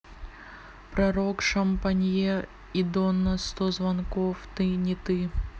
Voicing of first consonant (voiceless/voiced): voiceless